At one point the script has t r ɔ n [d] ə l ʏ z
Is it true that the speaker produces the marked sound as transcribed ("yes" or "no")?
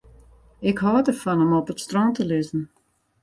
no